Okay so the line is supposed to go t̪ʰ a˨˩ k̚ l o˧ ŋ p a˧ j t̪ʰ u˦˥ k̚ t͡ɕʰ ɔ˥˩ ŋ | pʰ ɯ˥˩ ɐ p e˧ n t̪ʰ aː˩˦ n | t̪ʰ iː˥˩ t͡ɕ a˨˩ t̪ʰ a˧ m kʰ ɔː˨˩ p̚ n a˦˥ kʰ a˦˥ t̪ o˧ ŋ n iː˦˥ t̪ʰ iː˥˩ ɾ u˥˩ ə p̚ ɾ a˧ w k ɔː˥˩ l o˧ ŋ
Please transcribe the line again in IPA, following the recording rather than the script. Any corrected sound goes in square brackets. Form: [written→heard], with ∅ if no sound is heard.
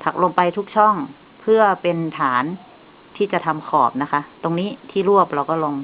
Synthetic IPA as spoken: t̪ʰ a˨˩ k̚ l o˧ ŋ p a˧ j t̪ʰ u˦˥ k̚ t͡ɕʰ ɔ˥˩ ŋ | pʰ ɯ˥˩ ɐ p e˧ n t̪ʰ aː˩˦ n | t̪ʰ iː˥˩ t͡ɕ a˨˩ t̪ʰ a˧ m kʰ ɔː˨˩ p̚ n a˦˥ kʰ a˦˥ t̪ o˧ ŋ n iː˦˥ t̪ʰ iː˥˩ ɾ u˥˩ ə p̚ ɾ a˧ w k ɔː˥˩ l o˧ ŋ